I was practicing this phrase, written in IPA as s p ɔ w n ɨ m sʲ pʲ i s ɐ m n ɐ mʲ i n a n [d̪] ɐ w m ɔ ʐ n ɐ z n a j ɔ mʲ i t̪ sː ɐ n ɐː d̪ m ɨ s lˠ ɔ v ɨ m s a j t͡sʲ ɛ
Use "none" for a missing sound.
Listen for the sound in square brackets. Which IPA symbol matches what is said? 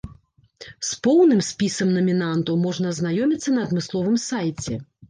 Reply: t̪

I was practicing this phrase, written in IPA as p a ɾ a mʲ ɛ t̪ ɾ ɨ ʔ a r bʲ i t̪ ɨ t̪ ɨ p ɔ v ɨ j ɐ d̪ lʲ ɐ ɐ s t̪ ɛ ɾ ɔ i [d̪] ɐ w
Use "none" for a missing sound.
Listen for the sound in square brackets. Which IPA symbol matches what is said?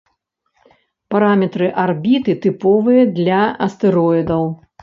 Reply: d̪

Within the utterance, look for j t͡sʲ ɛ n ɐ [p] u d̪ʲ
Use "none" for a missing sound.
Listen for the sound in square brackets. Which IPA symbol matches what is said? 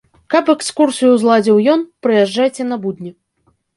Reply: b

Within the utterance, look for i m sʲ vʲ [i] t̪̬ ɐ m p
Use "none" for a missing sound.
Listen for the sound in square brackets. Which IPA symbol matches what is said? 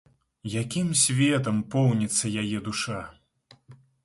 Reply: ɛ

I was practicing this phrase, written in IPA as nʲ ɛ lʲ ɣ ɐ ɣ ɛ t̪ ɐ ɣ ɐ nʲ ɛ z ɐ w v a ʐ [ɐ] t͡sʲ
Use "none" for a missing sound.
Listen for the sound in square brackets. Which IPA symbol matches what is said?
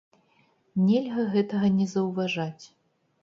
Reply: a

